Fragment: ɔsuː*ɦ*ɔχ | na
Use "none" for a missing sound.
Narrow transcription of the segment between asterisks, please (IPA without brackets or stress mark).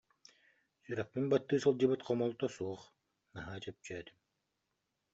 none